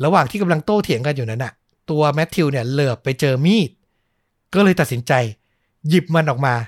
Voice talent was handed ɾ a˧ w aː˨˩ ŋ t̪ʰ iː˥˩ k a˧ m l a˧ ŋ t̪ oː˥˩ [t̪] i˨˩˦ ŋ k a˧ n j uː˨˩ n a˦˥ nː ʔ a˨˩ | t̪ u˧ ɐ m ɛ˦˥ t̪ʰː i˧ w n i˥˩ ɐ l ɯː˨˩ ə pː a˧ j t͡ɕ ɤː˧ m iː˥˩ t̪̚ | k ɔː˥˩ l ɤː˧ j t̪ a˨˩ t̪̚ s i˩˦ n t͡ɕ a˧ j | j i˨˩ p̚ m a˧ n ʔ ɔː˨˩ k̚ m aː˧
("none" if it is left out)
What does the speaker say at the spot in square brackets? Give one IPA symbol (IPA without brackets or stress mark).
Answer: t̪ʰ